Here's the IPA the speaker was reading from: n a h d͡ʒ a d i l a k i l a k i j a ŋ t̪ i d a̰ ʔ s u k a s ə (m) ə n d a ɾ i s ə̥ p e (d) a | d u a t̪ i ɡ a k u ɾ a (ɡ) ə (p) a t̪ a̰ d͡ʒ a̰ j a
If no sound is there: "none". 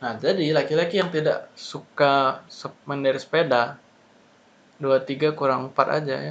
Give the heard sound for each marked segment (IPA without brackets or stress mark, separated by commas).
m, d, ŋ, p